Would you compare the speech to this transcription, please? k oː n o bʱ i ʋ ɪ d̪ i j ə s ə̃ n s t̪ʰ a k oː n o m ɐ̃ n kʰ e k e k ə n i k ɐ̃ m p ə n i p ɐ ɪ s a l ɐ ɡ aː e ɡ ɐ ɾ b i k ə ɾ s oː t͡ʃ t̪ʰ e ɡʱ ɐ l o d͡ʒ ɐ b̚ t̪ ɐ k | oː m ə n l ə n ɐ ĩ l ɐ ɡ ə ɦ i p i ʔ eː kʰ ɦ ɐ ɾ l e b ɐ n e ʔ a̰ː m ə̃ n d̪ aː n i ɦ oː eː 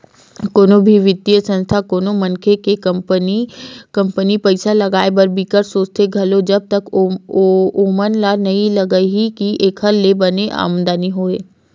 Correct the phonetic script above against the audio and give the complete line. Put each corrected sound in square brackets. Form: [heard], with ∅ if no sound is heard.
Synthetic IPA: k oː n o bʱ i ʋ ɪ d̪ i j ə s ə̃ n s t̪ʰ a k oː n o m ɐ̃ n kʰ e k e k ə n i k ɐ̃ m p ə n i p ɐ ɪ s a l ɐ ɡ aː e [b] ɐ ɾ b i k ə ɾ s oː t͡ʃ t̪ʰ e ɡʱ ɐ l o d͡ʒ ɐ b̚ t̪ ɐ k | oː m ə n l [a] n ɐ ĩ l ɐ ɡ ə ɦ i [k] i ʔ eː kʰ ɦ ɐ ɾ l e b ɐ n e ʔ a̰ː m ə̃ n d̪ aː n i ɦ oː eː